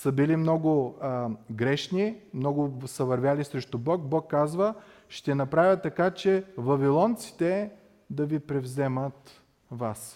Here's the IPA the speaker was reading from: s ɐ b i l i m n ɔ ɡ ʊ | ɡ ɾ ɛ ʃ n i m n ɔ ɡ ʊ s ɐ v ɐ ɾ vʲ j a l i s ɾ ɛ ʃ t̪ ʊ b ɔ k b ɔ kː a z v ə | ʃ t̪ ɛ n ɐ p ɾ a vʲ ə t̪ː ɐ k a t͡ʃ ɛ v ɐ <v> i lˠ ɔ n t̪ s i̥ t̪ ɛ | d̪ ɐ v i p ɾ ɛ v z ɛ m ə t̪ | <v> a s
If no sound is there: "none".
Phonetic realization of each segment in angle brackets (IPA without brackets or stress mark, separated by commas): v, v